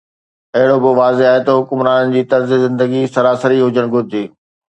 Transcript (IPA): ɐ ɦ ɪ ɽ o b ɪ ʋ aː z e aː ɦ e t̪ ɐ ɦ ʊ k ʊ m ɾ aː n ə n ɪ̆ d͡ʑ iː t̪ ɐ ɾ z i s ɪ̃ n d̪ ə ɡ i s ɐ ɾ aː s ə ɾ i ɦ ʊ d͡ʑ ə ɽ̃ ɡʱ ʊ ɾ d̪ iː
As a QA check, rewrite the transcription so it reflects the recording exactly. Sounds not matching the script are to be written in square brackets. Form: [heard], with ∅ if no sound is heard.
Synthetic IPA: ɐ ɦ ɪ ɽ o b ɪ ʋ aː z e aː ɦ e t̪ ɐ ɦ ʊ k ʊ m ɾ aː n ə n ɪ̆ d͡ʑ iː t̪ ɐ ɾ z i [z] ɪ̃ n d̪ ə ɡ i s ɐ ɾ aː s ə ɾ i ɦ ʊ d͡ʑ ə ɽ̃ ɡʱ ʊ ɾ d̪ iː